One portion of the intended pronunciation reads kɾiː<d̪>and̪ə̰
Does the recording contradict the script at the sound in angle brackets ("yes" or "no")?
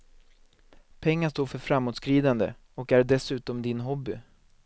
no